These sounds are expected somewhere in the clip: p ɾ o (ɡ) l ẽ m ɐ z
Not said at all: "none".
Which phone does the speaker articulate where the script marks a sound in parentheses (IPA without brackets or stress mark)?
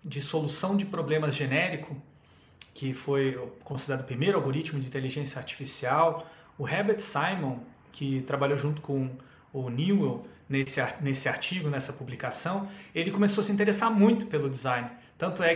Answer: b